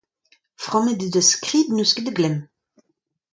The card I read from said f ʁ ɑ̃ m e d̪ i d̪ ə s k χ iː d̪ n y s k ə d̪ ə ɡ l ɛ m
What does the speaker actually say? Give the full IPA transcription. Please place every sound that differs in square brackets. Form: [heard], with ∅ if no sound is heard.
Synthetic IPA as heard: f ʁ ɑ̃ m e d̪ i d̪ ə s k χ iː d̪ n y s k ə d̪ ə ɡ l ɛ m